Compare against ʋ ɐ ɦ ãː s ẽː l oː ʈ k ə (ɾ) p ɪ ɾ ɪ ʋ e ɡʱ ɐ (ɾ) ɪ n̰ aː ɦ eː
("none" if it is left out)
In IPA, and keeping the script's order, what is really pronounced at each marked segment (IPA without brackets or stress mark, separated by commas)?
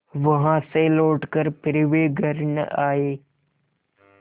ɾ, ɾ